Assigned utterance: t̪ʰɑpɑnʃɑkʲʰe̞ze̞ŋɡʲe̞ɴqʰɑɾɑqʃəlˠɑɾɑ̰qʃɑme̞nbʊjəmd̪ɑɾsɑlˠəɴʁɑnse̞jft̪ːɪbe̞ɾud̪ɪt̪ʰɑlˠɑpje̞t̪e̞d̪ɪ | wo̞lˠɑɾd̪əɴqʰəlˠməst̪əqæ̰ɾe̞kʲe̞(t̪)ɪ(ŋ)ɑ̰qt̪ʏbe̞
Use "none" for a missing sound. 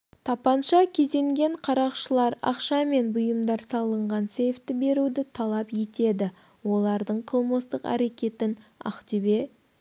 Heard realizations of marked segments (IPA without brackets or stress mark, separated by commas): t̪, n